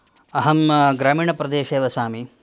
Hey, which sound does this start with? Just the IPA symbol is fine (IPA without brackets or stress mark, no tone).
ɐ